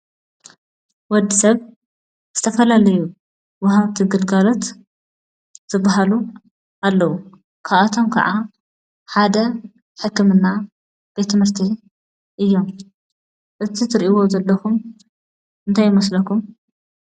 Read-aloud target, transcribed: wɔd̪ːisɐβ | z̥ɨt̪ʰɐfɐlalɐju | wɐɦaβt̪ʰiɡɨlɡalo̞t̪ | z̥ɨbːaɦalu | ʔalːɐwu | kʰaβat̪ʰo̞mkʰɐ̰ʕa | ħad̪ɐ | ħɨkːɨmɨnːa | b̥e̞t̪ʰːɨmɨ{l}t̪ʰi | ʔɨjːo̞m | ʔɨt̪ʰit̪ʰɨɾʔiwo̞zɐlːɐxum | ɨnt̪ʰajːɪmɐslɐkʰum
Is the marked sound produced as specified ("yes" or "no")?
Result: no